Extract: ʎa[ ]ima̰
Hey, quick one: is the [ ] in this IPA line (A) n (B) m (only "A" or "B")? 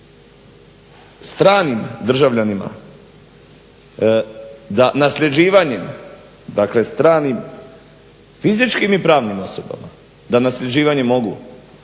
A